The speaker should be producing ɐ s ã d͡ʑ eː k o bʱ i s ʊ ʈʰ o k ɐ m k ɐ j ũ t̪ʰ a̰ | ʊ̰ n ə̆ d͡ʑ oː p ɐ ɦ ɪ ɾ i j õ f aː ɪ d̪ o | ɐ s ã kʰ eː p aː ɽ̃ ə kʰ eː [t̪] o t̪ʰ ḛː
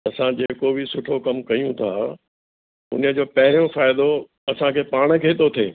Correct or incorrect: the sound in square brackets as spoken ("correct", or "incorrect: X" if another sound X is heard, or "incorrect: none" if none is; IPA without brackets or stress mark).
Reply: correct